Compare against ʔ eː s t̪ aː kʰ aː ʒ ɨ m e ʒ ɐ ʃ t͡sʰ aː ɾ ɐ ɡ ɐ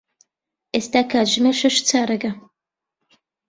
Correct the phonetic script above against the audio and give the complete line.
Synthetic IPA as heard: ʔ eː s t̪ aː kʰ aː ʒ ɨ m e ʃ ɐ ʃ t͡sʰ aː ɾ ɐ ɡ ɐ